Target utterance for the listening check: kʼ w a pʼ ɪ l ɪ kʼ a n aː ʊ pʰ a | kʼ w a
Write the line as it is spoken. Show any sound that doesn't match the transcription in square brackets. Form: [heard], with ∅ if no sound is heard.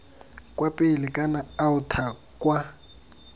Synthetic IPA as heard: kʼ w a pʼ ɪ l ɪ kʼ a n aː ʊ [tʰ] a | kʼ w a